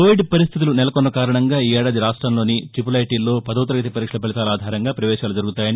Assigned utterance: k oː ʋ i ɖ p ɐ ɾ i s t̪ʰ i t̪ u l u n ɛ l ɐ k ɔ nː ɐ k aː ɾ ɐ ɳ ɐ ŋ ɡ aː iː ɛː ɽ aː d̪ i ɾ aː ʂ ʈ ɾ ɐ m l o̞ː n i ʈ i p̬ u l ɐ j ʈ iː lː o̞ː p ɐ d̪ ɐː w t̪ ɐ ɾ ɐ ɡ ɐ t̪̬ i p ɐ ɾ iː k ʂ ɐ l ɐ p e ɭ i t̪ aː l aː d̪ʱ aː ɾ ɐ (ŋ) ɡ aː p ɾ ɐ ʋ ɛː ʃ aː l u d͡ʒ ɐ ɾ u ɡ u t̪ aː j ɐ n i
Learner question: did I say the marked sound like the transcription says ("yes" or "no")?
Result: yes